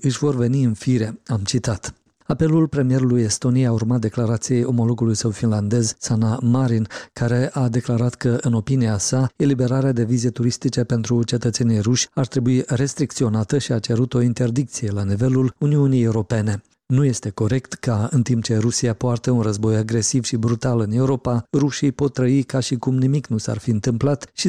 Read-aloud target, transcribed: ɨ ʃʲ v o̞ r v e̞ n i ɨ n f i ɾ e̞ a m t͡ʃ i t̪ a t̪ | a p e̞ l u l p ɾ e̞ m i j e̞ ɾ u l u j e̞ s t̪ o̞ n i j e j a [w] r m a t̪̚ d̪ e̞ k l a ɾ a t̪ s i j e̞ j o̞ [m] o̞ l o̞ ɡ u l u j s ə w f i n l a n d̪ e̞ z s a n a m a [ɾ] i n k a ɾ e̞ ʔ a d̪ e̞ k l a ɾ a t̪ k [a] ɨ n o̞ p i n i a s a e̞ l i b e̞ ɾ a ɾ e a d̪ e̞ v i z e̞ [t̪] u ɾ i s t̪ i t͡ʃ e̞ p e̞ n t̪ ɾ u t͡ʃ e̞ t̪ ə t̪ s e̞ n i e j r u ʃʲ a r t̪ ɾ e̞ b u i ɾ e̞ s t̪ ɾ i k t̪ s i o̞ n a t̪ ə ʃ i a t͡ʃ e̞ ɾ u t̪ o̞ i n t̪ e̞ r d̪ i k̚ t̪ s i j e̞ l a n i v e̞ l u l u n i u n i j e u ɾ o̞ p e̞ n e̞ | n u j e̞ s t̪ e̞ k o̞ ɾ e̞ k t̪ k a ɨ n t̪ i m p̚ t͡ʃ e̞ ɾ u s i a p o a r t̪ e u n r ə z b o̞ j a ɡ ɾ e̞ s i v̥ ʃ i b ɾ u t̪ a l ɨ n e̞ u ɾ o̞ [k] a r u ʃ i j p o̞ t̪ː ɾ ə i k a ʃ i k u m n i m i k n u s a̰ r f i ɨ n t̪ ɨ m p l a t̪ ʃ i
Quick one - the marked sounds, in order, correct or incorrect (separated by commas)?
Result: incorrect, correct, correct, incorrect, correct, incorrect